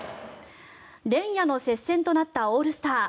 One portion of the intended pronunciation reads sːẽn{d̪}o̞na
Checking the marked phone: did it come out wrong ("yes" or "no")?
yes